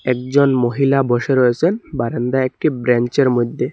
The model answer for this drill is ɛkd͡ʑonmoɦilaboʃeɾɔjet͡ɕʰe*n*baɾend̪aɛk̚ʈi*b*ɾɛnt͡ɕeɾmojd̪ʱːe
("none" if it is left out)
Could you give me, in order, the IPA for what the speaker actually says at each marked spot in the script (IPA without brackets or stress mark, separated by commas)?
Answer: n, b